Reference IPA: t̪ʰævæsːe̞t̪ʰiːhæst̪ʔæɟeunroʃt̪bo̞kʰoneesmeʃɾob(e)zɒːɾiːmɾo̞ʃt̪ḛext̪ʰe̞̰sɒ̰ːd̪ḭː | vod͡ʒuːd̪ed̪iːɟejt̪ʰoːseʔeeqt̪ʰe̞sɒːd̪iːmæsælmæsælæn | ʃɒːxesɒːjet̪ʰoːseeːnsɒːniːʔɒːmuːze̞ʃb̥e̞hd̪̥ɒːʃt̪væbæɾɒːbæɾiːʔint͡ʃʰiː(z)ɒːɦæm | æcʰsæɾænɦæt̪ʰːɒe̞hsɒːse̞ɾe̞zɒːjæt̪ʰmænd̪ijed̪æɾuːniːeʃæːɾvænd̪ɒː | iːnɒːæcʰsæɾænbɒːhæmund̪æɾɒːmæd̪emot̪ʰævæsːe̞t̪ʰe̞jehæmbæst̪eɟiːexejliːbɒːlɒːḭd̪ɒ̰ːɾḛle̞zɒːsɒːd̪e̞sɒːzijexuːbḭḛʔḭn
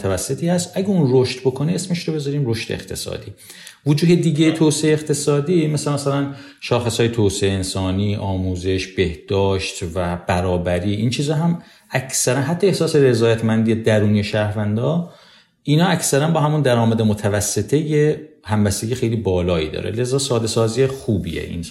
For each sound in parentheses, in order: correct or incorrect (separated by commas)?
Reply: correct, correct